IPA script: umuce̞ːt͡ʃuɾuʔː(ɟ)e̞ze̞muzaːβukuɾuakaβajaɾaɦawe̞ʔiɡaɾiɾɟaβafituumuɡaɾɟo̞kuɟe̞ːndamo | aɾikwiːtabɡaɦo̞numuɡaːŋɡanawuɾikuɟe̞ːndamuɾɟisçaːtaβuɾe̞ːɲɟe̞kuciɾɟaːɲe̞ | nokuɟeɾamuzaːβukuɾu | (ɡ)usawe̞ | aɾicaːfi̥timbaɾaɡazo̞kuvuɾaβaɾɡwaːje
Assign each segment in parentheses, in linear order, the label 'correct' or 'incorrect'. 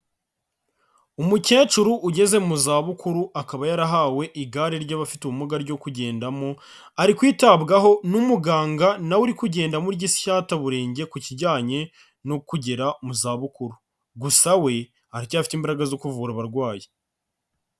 correct, correct

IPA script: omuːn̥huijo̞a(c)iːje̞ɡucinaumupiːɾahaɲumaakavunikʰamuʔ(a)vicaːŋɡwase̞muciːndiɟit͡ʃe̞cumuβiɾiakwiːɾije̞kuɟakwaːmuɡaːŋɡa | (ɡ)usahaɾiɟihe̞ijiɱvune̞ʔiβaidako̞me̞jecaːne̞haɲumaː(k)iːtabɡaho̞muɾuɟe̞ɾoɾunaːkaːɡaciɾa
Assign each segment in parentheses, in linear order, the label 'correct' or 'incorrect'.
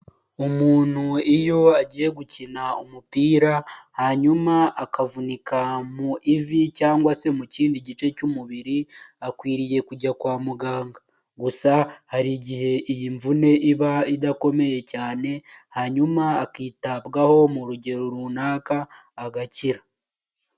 incorrect: ɟ, incorrect: i, correct, correct

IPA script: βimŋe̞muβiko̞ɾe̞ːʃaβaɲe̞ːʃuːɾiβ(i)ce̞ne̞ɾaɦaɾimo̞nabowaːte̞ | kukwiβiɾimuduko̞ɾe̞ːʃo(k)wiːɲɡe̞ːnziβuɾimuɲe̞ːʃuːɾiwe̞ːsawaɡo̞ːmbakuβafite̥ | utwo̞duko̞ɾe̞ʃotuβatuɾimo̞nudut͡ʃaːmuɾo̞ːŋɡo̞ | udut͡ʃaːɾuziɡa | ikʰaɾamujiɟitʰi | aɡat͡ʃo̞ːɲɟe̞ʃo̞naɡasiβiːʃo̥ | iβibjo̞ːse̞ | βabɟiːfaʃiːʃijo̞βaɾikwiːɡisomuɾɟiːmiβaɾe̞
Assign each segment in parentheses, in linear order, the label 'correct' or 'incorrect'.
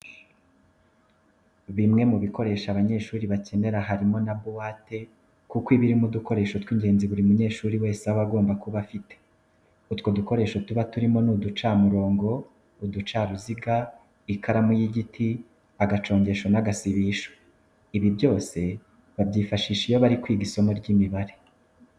incorrect: a, incorrect: t

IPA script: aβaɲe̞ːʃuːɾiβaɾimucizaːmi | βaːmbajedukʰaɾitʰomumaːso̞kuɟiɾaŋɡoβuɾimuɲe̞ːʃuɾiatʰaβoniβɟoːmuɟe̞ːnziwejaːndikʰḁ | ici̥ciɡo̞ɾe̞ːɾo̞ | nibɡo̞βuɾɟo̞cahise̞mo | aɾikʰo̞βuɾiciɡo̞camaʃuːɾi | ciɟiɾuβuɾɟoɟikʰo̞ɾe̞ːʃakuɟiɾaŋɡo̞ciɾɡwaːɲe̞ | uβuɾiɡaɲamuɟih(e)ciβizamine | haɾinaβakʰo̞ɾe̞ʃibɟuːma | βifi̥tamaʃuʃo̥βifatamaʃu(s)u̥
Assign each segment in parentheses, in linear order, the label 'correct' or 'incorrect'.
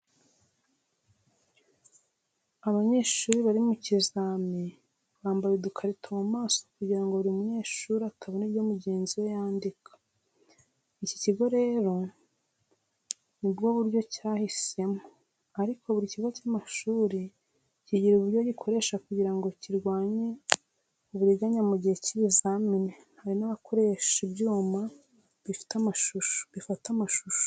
correct, incorrect: ʃ

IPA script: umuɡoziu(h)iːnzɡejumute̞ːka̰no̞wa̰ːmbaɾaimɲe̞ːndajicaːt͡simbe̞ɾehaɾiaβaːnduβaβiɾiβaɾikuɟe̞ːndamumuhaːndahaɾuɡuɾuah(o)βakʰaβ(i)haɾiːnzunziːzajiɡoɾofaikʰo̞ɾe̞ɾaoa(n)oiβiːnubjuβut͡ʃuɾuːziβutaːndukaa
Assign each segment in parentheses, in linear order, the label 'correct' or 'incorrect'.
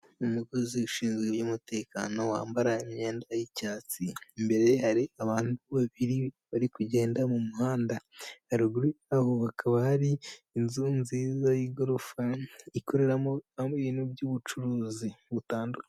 incorrect: ʃ, correct, incorrect: a, incorrect: m

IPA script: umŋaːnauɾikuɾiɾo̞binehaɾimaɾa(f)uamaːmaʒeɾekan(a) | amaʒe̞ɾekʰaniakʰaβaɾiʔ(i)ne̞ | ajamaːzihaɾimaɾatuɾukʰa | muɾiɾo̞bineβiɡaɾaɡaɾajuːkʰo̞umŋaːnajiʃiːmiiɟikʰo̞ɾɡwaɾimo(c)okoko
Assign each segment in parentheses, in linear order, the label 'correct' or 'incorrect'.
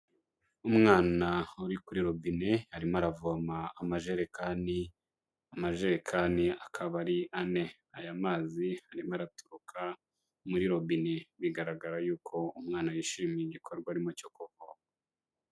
incorrect: v, incorrect: i, incorrect: a, correct

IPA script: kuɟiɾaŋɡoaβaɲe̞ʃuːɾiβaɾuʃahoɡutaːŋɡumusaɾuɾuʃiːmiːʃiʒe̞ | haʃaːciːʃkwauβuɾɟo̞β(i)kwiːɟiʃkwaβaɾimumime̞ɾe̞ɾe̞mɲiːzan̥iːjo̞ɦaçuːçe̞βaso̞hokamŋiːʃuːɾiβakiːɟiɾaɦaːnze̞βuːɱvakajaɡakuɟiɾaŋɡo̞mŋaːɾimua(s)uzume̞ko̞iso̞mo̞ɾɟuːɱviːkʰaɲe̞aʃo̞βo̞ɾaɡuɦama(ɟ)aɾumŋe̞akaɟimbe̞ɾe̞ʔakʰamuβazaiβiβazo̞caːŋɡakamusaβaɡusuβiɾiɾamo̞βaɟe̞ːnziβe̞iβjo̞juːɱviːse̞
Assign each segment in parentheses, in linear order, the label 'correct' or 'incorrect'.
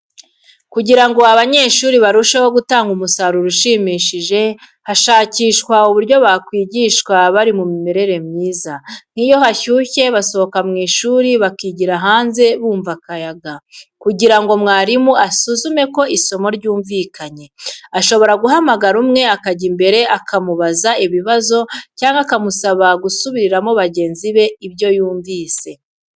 incorrect: a, correct, incorrect: ɡ

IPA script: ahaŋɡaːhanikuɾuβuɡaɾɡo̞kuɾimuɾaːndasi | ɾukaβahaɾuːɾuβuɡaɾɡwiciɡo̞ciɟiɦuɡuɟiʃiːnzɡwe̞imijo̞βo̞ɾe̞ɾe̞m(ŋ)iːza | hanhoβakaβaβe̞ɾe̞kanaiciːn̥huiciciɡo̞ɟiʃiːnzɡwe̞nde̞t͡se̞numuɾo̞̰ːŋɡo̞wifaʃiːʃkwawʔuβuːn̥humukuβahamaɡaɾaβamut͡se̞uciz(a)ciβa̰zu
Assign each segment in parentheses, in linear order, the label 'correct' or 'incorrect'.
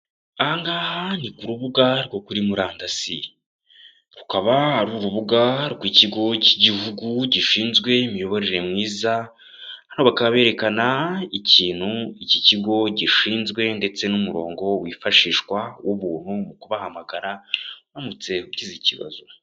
correct, incorrect: i

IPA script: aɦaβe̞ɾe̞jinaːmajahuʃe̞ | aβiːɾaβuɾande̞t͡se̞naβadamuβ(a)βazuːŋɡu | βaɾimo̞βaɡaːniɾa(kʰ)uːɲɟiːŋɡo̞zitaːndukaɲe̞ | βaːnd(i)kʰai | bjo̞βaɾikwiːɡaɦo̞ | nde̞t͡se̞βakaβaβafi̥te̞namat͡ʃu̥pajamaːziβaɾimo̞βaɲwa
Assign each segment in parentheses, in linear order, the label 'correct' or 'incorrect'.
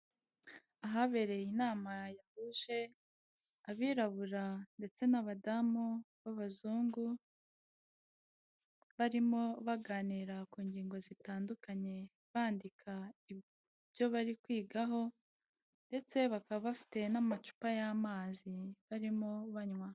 correct, incorrect: k, correct

